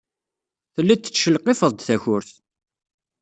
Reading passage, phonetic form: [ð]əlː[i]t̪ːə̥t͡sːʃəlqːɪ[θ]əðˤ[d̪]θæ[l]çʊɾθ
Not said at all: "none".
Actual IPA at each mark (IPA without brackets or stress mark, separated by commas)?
θ, æ, f, d̪, none